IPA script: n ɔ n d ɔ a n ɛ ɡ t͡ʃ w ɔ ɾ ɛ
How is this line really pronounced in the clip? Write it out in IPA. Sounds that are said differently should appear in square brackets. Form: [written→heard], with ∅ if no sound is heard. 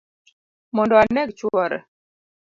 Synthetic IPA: [n→m] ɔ n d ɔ a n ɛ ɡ t͡ʃ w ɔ ɾ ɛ

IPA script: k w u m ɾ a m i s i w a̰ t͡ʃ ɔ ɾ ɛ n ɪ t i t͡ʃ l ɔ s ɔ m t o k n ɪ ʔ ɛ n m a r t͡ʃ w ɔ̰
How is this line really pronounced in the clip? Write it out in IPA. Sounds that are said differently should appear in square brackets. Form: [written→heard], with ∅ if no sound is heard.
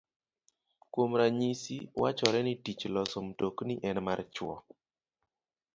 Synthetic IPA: k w [u→o] m ɾ a [m→ɲ] i s i w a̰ t͡ʃ ɔ ɾ ɛ n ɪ t i t͡ʃ l ɔ s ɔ m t o k n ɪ ʔ ɛ n m a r t͡ʃ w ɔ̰

